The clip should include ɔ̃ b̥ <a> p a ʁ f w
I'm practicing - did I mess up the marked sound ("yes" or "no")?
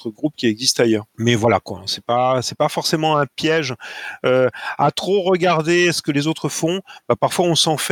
no